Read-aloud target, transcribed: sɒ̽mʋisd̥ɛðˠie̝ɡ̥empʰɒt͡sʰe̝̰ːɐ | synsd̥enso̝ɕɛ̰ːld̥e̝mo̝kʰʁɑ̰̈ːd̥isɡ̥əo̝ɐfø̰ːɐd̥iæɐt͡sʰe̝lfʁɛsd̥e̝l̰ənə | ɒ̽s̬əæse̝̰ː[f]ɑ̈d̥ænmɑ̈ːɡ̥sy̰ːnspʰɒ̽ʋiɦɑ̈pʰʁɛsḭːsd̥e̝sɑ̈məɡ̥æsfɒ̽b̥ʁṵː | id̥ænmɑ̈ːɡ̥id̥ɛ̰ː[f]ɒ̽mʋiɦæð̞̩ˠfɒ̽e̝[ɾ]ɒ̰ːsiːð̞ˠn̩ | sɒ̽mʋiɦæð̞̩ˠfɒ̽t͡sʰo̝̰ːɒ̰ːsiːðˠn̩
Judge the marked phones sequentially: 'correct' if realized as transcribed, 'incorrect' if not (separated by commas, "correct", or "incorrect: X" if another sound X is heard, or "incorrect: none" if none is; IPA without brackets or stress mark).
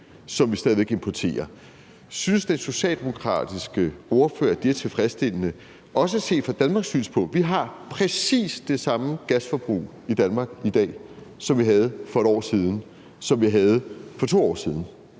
correct, incorrect: s, correct